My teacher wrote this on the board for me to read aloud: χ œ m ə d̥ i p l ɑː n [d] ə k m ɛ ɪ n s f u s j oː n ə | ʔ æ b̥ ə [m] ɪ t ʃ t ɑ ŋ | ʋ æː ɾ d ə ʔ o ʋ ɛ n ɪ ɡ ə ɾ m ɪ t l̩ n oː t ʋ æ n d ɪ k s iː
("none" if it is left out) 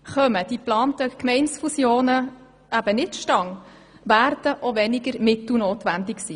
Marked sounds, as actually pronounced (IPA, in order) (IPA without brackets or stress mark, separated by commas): t, n